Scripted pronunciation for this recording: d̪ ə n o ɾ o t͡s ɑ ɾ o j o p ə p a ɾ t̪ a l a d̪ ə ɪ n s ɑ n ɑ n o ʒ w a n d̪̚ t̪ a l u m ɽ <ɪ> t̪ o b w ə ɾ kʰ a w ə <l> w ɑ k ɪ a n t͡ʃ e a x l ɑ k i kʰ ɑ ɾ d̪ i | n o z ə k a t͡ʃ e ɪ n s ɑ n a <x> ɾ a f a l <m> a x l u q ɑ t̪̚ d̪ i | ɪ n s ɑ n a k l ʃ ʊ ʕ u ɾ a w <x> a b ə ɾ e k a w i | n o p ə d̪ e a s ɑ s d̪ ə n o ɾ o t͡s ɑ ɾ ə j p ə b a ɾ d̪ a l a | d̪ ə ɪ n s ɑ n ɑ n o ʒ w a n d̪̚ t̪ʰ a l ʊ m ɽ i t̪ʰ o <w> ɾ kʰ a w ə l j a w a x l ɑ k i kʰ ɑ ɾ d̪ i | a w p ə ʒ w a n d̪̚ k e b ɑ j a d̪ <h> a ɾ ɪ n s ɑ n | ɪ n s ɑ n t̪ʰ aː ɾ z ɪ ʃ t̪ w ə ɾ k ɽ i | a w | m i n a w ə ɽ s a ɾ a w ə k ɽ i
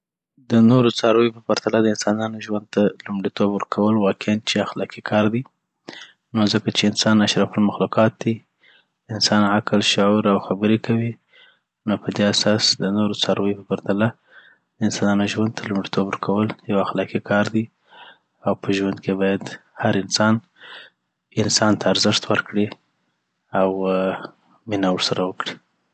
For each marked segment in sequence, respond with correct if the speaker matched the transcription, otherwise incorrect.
incorrect: i, correct, incorrect: ʃ, correct, correct, incorrect: b, correct

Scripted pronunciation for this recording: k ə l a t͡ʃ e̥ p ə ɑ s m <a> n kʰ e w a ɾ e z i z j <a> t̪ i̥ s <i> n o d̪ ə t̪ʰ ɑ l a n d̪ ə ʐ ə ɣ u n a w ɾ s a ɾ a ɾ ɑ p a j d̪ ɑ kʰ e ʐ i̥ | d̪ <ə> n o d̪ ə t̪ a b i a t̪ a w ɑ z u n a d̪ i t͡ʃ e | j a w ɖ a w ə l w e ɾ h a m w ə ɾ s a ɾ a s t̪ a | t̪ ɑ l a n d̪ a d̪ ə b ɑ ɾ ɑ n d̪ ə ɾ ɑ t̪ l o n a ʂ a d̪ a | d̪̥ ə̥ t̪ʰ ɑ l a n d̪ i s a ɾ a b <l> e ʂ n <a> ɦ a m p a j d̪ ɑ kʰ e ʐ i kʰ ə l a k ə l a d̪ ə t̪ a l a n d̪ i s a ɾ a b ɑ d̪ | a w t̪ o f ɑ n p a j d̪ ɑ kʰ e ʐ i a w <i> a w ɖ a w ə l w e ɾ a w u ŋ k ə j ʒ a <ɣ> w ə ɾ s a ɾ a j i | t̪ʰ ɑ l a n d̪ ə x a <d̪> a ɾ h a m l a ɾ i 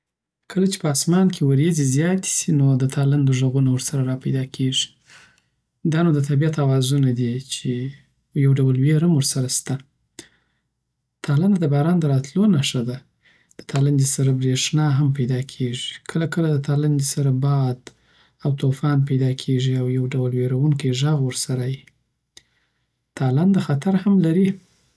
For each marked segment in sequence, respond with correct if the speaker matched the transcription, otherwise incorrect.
incorrect: ɑ, incorrect: ɑ, correct, incorrect: ɑ, incorrect: ɾ, incorrect: ɑ, incorrect: j, correct, incorrect: t̪

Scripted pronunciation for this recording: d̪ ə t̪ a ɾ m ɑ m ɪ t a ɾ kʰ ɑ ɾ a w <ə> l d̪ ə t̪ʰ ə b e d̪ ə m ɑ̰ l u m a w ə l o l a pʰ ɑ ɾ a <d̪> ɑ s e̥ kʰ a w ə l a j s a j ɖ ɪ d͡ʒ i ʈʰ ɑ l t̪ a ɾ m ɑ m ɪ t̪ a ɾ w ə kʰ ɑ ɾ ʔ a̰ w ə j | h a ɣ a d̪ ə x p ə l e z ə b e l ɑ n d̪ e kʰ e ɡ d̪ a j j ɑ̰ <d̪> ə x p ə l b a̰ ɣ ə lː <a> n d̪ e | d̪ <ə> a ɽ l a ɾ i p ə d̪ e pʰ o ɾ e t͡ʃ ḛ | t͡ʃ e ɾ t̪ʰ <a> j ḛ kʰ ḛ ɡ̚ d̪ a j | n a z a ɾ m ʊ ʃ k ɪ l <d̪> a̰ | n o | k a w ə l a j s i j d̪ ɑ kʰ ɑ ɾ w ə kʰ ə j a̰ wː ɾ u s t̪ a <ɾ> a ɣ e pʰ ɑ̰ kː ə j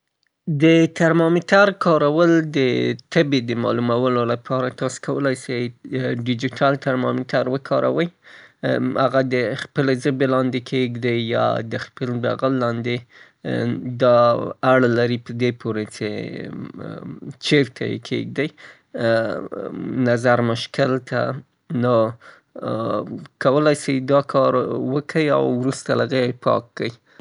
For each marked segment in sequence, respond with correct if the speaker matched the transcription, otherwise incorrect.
correct, incorrect: t̪, correct, incorrect: ɑ, incorrect: ɑ, correct, incorrect: t̪, incorrect: l

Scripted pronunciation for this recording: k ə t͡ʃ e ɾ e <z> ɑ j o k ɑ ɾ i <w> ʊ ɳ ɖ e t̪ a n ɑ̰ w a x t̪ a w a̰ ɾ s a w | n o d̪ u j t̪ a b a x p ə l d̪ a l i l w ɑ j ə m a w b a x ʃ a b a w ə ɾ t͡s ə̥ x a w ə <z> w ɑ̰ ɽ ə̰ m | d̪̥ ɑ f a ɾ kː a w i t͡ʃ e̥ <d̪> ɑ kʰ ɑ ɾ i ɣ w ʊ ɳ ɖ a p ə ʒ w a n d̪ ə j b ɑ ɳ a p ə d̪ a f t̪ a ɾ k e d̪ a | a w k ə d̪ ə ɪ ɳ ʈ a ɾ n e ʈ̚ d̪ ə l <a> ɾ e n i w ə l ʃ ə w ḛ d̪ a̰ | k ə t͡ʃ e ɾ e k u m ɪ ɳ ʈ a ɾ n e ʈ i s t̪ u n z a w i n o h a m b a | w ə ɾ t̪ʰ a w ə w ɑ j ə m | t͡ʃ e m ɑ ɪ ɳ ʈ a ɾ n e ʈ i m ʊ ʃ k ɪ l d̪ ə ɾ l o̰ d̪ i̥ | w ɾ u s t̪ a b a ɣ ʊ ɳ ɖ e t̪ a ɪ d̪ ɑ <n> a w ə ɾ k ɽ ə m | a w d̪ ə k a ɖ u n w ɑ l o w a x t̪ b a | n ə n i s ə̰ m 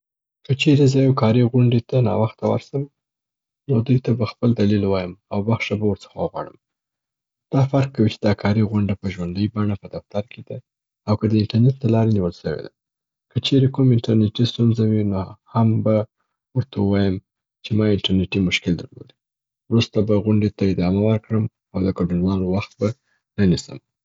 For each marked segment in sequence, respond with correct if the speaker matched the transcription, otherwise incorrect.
correct, incorrect: ɣ, incorrect: ɣ, correct, incorrect: ɑ, incorrect: m

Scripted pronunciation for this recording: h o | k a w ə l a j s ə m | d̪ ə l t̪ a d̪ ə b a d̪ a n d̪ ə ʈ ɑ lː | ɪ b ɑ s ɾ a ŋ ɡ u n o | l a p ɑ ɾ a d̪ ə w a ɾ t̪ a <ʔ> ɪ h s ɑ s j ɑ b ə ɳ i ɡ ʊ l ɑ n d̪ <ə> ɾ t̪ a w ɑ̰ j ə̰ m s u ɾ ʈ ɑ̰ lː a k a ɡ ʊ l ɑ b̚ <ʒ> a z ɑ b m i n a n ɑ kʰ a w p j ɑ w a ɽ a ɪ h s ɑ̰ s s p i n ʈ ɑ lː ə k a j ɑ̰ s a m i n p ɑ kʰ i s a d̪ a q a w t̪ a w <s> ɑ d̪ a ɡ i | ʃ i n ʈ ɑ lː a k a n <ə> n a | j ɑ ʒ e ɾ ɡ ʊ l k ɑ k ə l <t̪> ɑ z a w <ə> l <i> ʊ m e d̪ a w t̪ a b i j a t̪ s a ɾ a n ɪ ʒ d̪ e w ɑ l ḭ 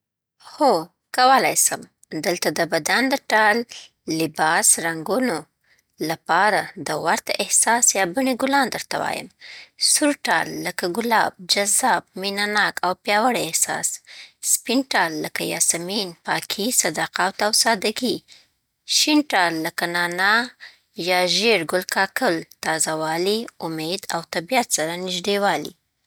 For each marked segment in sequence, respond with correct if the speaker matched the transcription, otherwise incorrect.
correct, correct, incorrect: d͡ʒ, correct, incorrect: ɑ, correct, incorrect: ɑ, correct

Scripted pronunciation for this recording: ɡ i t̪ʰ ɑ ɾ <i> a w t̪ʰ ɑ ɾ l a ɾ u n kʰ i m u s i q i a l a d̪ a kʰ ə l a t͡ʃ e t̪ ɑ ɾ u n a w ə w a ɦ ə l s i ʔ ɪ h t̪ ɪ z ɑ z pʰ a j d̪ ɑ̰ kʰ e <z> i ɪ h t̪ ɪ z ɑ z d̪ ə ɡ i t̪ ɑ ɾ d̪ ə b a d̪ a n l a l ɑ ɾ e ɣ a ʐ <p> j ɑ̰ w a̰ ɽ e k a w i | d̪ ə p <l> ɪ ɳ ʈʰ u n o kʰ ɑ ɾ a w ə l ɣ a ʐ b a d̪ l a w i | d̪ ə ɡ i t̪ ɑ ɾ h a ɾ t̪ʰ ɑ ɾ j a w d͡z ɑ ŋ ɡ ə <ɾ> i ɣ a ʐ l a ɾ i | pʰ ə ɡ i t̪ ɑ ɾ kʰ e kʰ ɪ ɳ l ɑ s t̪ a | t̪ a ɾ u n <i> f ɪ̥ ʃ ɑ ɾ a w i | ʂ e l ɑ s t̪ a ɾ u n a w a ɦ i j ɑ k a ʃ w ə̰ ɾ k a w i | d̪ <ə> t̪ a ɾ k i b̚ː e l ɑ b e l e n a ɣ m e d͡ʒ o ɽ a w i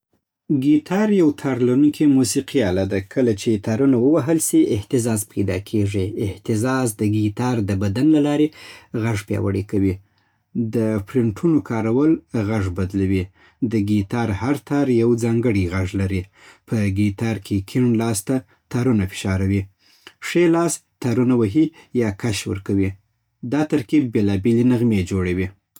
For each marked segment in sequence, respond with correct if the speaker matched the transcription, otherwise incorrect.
incorrect: j, incorrect: ʐ, correct, incorrect: ɾ, incorrect: ɽ, incorrect: a, incorrect: ɑ

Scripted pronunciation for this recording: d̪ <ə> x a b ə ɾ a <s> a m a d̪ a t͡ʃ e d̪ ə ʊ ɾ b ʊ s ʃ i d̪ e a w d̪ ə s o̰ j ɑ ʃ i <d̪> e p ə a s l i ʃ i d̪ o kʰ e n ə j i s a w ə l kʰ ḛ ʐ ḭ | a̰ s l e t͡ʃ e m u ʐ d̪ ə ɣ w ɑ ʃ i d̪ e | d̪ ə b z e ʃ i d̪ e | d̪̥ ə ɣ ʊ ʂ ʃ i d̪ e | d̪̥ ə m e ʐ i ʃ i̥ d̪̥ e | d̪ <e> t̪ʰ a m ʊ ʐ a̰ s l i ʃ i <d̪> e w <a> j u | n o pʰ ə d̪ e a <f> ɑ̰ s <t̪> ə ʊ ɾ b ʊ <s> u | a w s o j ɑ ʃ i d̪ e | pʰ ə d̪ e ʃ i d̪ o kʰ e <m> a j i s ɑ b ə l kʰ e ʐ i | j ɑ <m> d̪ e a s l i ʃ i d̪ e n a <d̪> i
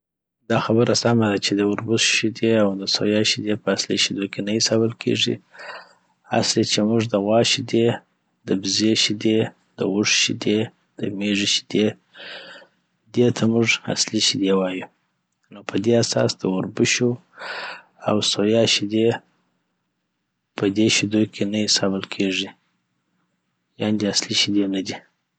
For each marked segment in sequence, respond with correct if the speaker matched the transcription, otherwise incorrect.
incorrect: ɑ, correct, correct, correct, correct, incorrect: ɑ, incorrect: s, incorrect: d̪, incorrect: ʃ, incorrect: n, incorrect: n, correct

